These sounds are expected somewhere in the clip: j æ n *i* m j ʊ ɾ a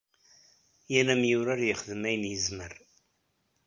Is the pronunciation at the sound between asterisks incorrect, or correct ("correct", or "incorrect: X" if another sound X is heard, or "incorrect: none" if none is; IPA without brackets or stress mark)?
incorrect: æ